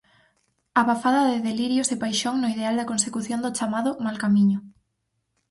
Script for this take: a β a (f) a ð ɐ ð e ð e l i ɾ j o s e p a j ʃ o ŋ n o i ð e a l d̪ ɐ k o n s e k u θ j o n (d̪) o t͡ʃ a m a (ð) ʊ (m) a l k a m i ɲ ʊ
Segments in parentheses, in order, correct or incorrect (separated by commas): correct, correct, correct, correct